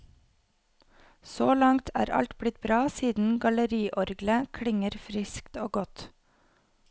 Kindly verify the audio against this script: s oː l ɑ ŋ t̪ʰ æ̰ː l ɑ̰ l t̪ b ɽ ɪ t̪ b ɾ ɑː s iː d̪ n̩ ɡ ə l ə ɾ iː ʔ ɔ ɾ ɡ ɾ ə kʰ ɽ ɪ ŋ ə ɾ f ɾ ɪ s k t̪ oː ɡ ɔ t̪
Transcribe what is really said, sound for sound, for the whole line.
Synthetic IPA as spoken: s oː l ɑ ŋ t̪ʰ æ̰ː ɾ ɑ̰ l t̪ b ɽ ɪ t̪ b ɾ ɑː s iː d̪ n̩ ɡ ɑ l ə ɾ iː ʔ ɔ ɾ ɡ l ə kʰ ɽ ɪ ŋ ə ɾ f ɾ ɪ s k t̪ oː ɡ ɔ t̪

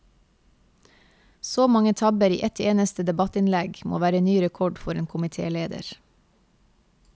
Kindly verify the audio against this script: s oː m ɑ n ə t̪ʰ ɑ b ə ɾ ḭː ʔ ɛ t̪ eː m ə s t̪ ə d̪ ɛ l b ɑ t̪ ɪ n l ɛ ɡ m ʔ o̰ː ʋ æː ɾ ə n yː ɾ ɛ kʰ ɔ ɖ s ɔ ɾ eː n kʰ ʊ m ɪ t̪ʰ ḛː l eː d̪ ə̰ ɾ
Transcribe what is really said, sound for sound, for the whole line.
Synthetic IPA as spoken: s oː m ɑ ŋ ə t̪ʰ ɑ b ə ɾ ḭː ʔ ɛ t̪ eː n ə s t̪ ə d̪ ɛ b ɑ t̪ ɪ n l ɛ ɡ m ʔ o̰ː ʋ æː ɾ ə n yː ɾ ɛ kʰ ɔ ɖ f ɔ ɾ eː n kʰ ʊ m ɪ t̪ʰ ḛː l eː d̪ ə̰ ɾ

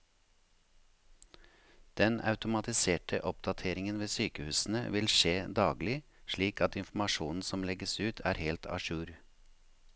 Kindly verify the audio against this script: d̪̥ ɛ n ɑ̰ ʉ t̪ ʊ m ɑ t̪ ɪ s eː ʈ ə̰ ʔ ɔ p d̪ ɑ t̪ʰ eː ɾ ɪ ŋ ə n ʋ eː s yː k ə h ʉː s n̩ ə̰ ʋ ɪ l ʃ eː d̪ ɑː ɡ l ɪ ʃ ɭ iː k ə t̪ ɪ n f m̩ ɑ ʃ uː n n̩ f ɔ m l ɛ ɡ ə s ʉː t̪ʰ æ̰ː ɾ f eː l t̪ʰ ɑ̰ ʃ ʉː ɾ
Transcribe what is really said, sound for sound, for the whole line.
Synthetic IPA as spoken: d̪̥ ɛ n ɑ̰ ʉ t̪ ʊ m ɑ t̪ ɪ s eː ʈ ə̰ ʔ ɔ p d̪ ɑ t̪ʰ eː ɾ ɪ ŋ ə n ʋ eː s yː k ə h ʉː s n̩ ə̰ ʋ ɪ l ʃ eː d̪ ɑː ɡ l ɪ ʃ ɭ iː k ɑ t̪ ɪ n f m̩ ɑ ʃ uː n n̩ s ɔ m l ɛ ɡ ə s ʉː t̪ʰ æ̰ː ɾ h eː l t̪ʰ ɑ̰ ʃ ʉː ɾ

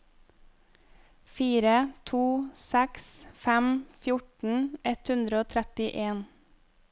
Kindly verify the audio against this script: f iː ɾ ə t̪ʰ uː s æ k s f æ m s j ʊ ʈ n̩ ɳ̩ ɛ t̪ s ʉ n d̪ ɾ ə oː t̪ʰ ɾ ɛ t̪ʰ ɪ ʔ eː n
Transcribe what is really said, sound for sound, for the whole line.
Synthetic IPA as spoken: f iː ɾ ə t̪ʰ uː s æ k s f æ m f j ʊ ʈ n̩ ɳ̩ ɛ t̪ h ʉ n d̪ ɾ ə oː t̪ʰ ɾ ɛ t̪ ɪ ʔ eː n

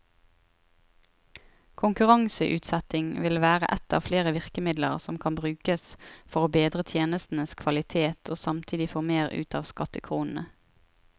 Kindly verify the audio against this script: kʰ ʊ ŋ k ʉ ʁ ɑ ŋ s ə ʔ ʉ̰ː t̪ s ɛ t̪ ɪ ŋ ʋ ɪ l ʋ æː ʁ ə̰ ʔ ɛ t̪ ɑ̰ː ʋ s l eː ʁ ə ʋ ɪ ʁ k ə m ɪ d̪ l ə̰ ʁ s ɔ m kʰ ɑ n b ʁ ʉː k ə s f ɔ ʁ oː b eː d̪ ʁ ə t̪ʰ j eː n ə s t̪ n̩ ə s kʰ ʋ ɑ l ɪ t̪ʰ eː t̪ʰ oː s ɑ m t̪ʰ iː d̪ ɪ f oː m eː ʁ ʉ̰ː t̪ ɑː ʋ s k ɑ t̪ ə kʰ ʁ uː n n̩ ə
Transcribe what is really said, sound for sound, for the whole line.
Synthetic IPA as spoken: kʰ ʊ ŋ k ʉ ʁ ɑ ŋ s ə ʔ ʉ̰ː t̪ s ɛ t̪ ɪ ŋ ʋ ɪ l ʋ æː ʁ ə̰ ʔ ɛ t̪ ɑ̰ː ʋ f l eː ʁ ə ʋ ɪ ʁ k ə m ɪ d̪ l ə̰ ʁ s ɔ m kʰ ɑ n b ʁ ʉː k ə s f ɔ ʁ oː b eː d̪ ʁ ə t̪ʰ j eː n ə s t̪ n̩ ə s kʰ ʋ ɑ l ɪ t̪ʰ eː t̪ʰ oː s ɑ m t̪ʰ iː d̪ ɪ f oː m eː ʁ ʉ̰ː t̪ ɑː ʋ s k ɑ t̪ ə kʰ ʁ uː n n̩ ə

